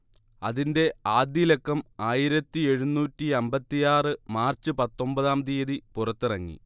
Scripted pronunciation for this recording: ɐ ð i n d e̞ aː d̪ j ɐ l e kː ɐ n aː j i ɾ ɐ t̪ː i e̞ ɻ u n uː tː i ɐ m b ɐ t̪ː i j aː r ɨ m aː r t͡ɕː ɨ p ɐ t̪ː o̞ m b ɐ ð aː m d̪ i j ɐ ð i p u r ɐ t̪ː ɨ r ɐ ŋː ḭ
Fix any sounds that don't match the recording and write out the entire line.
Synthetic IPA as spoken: ɐ ð i n d e̞ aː d̪ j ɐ l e kː ɐ m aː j i ɾ ɐ t̪ː i e̞ ɻ u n uː tː i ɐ m b ɐ t̪ː i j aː r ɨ m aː r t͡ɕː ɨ p ɐ t̪ː o̞ m b ɐ ð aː m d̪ i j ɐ ð i p u r ɐ t̪ː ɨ r ɐ ŋː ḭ

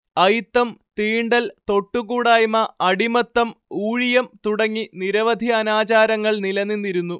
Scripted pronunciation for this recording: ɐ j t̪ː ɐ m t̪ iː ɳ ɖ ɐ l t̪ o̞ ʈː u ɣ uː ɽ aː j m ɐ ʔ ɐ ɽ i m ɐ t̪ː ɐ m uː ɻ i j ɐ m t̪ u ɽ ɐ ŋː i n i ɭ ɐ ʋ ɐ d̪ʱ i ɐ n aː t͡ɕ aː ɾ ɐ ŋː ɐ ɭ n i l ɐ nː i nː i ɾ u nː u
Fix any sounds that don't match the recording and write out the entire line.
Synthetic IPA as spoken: ɐ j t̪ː ɐ m t̪ iː ɳ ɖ ɐ l t̪ o̞ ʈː u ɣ uː ɽ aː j m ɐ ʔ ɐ ɽ i m ɐ t̪ː ɐ m uː ɻ i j ɐ m t̪ u ɽ ɐ ŋː i n i ɾ ɐ ʋ ɐ d̪ʱ i ɐ n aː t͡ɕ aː ɾ ɐ ŋː ɐ ɭ n i l ɐ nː i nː i ɾ u nː u

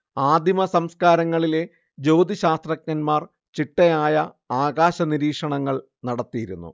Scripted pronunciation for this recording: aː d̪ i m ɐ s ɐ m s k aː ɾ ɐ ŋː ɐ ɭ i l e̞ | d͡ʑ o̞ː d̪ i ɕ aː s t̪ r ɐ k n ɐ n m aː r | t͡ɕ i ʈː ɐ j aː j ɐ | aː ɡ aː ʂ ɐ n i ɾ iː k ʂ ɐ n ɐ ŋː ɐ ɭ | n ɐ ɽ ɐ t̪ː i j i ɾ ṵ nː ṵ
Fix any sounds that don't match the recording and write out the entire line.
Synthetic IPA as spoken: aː d̪ i m ɐ s ɐ m s k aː ɾ ɐ ŋː ɐ ɭ i l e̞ | d͡ʑ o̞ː d̪ i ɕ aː s t̪ r ɐ k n ɐ n m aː r | t͡ɕ i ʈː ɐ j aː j ɐ | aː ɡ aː ɕ ɐ n i ɾ iː k ʂ ɐ ɳ ɐ ŋː ɐ ɭ | n ɐ ɽ ɐ t̪ː i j i ɾ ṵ nː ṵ

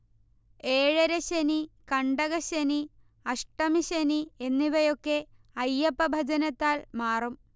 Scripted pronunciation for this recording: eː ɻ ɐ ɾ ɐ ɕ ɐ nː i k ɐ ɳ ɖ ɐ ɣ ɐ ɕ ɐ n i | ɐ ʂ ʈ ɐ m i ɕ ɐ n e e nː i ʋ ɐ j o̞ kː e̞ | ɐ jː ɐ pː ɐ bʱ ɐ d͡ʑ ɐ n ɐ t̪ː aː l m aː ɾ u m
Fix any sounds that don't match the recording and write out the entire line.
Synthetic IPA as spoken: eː ɻ ɐ ɾ ɐ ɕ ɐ n i k ɐ ɳ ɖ ɐ ɣ ɐ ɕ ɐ n i | ɐ ʂ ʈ ɐ m i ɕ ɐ n i e nː i ʋ ɐ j o̞ kː e̞ | ɐ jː ɐ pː ɐ bʱ ɐ d͡ʑ ɐ n ɐ t̪ː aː l m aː r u m

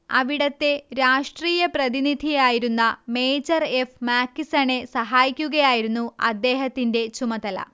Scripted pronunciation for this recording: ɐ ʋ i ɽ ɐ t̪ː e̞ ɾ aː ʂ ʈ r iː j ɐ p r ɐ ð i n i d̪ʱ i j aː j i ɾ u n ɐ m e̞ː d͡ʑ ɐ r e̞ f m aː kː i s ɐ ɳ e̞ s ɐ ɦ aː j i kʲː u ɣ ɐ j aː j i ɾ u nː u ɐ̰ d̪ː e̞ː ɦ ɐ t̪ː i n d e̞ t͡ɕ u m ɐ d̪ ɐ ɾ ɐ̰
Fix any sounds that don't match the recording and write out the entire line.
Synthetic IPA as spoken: ɐ ʋ i ɽ ɐ t̪ː e̞ ɾ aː ʂ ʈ r iː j ɐ p r ɐ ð i n i d̪ʱ i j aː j i ɾ u nː ɐ m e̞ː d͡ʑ ɐ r e̞ f m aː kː i s ɐ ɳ e̞ s ɐ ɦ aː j i kʲː u ɣ ɐ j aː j i ɾ u nː u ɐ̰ d̪ː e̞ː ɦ ɐ t̪ː i n d e̞ t͡ɕ u m ɐ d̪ ɐ l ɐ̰

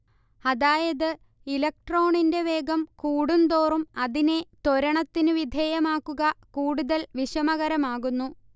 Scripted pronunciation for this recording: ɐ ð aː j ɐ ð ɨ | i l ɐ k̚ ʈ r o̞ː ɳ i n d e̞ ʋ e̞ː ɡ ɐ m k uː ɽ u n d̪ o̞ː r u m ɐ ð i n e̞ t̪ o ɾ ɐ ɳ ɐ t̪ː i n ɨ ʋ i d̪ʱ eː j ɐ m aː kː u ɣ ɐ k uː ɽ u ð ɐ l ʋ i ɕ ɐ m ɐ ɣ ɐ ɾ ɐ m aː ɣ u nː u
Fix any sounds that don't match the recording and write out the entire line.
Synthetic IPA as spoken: ɐ ð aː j ɐ ð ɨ | i l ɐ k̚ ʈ r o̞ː ɳ i n d e̞ ʋ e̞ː ɡ ɐ m k uː ɽ u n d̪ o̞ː r u m ɐ ð i n e̞ t̪ o ɾ ɐ ɳ ɐ t̪ː i n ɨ ʋ i d̪ʱ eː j ɐ m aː kː u ɣ ɐ k uː ɽ u ð ɐ l ʋ i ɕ ɐ m ɐ ɣ ɐ ɾ ɐ m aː ɣ u nː u

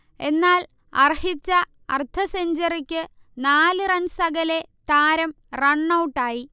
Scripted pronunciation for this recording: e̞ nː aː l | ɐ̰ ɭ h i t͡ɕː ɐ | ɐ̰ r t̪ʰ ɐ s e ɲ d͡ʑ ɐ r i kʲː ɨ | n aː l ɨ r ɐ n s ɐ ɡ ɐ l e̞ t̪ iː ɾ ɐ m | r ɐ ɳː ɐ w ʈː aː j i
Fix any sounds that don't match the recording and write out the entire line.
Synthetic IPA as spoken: e̞ nː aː l | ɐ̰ r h i t͡ɕː ɐ | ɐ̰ r t̪ʰ ɐ s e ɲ d͡ʑ ɐ r i kʲː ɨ | n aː l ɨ r ɐ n s ɐ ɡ ɐ l e̞ t̪ aː ɾ ɐ m | r ɐ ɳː ɐ w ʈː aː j i

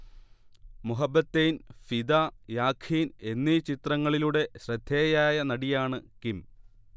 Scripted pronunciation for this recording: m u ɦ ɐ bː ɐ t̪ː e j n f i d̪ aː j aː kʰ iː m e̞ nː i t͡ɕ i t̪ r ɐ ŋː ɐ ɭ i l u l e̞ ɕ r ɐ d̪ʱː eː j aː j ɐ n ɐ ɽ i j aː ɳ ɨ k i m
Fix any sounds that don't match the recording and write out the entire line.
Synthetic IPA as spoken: m u ɦ ɐ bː ɐ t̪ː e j n f i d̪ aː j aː kʰ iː n e̞ nː i t͡ɕ i t̪ r ɐ ŋː ɐ ɭ i l u ɽ e̞ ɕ r ɐ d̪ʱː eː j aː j ɐ n ɐ ɽ i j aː ɳ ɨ k i m

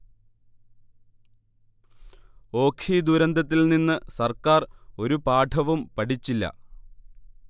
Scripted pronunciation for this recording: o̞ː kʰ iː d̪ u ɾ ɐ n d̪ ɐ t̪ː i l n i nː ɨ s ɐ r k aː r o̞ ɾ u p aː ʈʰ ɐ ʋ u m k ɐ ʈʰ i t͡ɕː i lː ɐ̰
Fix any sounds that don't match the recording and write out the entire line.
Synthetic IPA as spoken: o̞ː kʰ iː d̪ u ɾ ɐ n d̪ ɐ t̪ː i l n i nː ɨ s ɐ r k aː r o̞ ɾ u p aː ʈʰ ɐ ʋ u m p ɐ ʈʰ i t͡ɕː i lː ɐ̰

